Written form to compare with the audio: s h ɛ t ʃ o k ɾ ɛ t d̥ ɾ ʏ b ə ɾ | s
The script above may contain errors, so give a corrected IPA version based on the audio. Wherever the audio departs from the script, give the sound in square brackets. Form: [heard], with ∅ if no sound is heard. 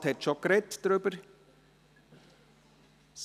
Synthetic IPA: [t] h ɛ t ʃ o k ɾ ɛ t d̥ ɾ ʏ b ə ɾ | s

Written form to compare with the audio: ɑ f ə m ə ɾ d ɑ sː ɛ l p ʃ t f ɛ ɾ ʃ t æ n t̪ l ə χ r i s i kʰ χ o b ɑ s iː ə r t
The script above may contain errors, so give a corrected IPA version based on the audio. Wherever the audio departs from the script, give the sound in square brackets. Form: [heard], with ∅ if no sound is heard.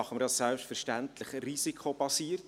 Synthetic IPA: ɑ [χ] ə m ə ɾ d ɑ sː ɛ l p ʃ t f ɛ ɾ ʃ t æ n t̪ l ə χ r i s i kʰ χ o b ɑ s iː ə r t

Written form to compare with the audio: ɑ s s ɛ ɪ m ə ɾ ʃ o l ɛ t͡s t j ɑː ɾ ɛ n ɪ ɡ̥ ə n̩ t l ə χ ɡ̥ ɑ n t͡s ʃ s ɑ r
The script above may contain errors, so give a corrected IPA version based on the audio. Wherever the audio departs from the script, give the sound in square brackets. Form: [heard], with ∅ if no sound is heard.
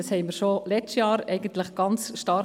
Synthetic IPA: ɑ s [h] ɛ ɪ m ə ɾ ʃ o l ɛ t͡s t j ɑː ɾ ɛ [∅] ɪ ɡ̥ ə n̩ t l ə χ ɡ̥ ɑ n t͡s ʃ [t] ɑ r

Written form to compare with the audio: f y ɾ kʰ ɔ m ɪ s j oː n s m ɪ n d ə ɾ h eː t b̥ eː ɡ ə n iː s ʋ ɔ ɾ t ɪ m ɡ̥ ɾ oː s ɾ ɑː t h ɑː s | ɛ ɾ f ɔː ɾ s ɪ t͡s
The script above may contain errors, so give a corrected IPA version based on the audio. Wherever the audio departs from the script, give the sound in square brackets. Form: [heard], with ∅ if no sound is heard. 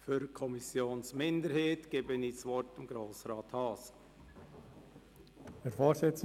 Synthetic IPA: f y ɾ kʰ ɔ m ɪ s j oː n s m ɪ n d ə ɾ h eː t [ɡ̥] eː [b] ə n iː s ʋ ɔ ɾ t ɪ m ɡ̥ ɾ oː s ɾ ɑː t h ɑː s | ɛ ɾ f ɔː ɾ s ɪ t͡s

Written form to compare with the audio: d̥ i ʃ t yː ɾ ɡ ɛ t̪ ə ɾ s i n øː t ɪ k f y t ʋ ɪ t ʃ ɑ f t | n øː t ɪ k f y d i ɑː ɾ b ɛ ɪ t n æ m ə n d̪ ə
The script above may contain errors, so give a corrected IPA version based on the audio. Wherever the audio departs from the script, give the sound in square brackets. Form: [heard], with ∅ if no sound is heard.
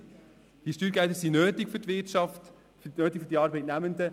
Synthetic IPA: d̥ i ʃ t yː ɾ ɡ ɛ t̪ ə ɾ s i n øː t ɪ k f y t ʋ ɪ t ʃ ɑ f t | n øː t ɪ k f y d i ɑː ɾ b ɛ ɪ t n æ m ə n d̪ ə

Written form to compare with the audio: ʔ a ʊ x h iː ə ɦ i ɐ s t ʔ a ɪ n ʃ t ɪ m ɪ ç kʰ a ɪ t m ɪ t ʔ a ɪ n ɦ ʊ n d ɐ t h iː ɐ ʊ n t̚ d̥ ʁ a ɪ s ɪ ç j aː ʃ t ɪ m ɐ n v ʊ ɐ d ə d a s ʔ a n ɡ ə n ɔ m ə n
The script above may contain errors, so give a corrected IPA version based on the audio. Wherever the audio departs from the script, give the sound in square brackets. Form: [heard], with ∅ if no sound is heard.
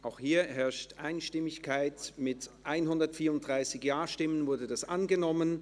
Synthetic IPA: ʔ a ʊ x h iː [ɐ] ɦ [ɛ] ɐ [ʃ] t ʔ a ɪ n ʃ t ɪ m ɪ ç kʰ a ɪ t m ɪ t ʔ a ɪ n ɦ ʊ n d ɐ t [f] iː ɐ ʊ n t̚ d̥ ʁ a ɪ s ɪ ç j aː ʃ t ɪ m [ə] n v ʊ ɐ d ə d a s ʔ a n ɡ ə n ɔ m ə n

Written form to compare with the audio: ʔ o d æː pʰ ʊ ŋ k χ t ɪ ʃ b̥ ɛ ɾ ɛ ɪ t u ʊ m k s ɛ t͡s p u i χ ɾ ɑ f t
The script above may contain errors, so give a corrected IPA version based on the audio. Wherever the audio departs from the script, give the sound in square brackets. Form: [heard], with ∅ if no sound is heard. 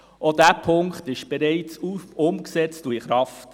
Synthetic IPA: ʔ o d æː pʰ ʊ ŋ k χ t ɪ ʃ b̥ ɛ ɾ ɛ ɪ [t͡s] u ʊ m k s ɛ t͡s [t] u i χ ɾ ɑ f t

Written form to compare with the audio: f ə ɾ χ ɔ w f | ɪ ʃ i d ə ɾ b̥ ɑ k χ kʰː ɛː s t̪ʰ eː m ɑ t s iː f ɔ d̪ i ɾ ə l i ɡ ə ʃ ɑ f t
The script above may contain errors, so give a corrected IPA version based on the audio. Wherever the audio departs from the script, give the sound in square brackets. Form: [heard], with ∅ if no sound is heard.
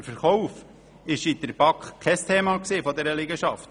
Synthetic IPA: f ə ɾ χ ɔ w f | ɪ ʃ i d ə ɾ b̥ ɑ k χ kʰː [ɛ] s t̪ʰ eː m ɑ [k] s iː f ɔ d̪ [ɛ] ɾ ə l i ɡ ə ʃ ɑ f t

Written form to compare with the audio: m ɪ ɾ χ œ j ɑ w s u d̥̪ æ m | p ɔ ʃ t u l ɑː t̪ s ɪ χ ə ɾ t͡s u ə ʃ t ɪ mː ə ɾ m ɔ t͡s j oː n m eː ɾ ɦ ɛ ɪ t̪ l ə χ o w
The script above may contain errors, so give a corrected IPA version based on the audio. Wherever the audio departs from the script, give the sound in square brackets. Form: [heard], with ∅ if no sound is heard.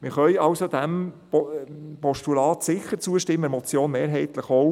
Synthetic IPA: m ɪ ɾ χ œ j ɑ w s [o] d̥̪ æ m | p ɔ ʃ t u l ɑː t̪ s ɪ χ ə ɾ t͡s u ə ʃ t ɪ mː ə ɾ m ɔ t͡s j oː n m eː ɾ ɦ ɛ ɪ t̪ l ə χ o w

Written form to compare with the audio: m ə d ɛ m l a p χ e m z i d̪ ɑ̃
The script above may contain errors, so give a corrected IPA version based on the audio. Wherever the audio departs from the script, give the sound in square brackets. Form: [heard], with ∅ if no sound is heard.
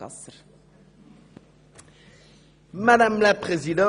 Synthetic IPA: m [a] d [a] m l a p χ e [∅] z i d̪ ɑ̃

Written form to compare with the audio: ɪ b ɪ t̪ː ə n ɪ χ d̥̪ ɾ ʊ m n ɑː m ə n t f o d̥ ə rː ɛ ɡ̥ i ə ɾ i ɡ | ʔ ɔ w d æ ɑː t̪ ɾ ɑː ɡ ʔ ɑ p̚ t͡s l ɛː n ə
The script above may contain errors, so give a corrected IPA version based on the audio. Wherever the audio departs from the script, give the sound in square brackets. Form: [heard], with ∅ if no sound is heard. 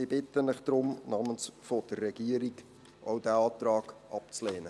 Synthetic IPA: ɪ b ɪ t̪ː ə n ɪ χ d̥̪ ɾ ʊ m n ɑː m ə n [s] f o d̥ ə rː ɛ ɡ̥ i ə ɾ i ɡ | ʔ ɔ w d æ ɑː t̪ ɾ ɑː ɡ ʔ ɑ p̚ t͡s l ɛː n ə

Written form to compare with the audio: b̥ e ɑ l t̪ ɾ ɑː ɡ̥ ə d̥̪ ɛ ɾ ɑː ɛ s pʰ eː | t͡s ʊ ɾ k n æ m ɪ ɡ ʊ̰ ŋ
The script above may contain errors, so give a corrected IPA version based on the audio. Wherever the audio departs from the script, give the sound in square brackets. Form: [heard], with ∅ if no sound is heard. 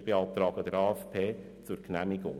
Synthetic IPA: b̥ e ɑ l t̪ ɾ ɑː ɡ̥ ə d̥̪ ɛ ɾ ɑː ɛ [f] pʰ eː | t͡s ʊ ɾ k n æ m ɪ ɡ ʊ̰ ŋ

